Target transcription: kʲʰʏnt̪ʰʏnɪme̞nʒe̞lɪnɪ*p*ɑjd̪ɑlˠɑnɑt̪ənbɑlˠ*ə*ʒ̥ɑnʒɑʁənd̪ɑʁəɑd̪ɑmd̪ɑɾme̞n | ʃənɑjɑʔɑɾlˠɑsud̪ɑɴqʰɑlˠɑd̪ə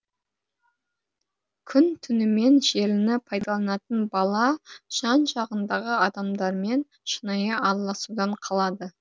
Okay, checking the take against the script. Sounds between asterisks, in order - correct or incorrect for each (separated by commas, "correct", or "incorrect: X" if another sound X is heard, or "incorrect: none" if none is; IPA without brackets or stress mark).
incorrect: pʰ, incorrect: ɑ